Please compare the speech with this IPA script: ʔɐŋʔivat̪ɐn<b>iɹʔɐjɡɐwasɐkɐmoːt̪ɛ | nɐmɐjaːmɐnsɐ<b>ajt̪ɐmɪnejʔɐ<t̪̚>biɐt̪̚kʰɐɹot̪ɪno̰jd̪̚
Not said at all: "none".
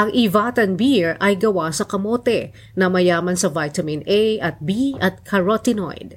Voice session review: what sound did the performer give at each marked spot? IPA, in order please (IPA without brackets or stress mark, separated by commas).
b, v, t̪̚